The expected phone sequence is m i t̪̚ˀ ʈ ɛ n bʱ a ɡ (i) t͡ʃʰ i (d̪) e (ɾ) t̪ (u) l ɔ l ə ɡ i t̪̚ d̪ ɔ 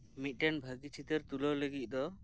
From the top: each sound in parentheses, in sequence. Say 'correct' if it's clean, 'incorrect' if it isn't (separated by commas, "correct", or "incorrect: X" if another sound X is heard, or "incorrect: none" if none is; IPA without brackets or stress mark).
correct, incorrect: t̪, correct, correct